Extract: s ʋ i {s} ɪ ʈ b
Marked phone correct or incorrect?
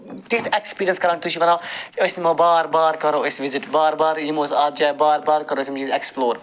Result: incorrect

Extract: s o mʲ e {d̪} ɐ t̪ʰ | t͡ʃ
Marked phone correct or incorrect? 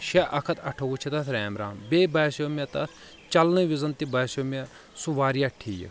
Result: incorrect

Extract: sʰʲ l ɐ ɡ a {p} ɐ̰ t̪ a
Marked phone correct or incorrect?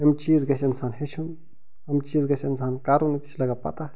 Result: correct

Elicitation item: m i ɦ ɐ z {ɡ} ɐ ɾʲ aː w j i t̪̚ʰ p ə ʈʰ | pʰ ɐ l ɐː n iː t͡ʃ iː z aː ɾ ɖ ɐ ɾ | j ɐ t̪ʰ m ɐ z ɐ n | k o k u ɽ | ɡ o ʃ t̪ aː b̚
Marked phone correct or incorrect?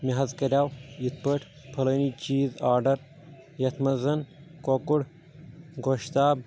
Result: incorrect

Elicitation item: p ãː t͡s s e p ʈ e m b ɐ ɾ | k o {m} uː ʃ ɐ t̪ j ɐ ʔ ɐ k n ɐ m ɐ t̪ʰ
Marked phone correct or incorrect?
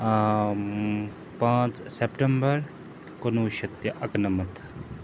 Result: incorrect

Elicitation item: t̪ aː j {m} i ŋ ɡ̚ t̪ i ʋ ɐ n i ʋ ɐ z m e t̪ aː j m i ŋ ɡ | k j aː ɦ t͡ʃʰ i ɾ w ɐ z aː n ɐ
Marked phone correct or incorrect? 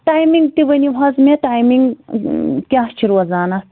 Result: correct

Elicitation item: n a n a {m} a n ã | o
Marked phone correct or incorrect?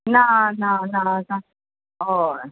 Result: incorrect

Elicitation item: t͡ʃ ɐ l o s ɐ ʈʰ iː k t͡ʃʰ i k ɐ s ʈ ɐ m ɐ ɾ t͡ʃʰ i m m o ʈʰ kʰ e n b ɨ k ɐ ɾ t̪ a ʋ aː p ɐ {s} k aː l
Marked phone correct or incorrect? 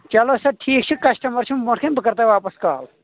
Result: correct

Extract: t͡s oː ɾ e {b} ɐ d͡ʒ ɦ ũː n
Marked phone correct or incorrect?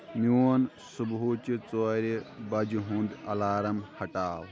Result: correct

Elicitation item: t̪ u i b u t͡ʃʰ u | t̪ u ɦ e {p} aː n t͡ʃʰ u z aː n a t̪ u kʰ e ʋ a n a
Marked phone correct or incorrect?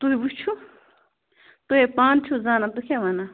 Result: correct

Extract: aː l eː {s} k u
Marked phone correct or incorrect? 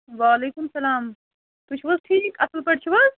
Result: incorrect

